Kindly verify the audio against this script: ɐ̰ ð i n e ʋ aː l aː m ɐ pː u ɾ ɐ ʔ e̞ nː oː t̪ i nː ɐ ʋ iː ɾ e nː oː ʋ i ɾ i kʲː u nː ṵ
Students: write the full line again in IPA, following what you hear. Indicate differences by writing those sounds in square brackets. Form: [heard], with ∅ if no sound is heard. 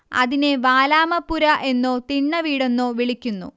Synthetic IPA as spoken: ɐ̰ ð i n e ʋ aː l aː m ɐ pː u ɾ ɐ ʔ e̞ nː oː t̪ i [ɳː] ɐ ʋ iː [ɽ] e nː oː ʋ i [ɭ] i kʲː u nː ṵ